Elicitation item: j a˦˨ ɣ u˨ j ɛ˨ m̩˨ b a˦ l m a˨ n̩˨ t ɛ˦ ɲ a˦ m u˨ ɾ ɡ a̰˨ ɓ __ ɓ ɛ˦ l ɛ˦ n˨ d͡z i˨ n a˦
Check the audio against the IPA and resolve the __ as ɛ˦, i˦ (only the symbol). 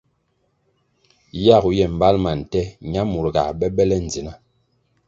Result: ɛ˦